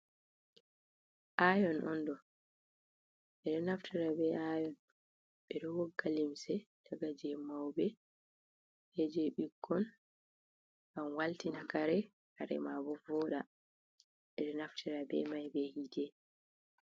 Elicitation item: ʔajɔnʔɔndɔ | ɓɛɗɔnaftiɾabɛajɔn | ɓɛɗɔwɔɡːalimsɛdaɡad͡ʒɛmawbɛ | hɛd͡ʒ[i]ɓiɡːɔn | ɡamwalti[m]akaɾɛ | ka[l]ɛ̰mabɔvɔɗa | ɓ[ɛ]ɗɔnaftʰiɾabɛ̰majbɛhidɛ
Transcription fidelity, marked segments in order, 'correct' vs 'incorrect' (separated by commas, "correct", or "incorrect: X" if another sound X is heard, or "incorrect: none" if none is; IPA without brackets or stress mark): incorrect: ɛ, incorrect: n, incorrect: ɾ, correct